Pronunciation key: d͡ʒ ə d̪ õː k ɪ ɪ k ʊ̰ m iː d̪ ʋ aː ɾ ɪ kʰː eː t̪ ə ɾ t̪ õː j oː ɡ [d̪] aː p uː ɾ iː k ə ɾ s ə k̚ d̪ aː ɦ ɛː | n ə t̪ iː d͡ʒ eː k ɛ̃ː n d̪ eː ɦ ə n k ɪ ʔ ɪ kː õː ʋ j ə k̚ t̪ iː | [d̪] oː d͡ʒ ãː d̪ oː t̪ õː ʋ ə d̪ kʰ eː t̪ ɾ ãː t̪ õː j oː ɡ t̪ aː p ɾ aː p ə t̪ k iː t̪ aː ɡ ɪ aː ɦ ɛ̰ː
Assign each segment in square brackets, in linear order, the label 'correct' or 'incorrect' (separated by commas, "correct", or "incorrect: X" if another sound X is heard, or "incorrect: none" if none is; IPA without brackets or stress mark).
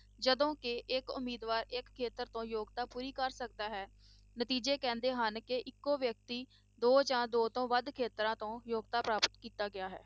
incorrect: t̪, correct